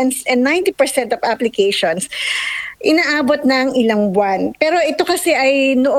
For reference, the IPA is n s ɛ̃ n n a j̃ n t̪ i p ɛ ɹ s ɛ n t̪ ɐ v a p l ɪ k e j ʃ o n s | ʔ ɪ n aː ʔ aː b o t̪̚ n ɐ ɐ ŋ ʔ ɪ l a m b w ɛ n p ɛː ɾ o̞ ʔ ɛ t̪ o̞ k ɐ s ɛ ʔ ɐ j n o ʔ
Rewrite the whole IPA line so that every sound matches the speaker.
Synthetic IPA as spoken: n s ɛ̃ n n a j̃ n t̪ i p ɛ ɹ s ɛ n t̪ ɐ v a p l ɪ k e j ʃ o n s | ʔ ɪ n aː ʔ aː b o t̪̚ n ɐ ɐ ŋ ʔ ɪ l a ŋ b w a n p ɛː ɾ o̞ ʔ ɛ t̪ o̞ k ɐ s ɛ ʔ ɐ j n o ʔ